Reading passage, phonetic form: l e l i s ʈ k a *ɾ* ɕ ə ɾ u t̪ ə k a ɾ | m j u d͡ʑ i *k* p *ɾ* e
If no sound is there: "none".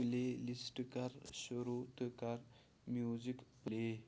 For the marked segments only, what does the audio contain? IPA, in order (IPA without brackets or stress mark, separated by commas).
ɾ, k, l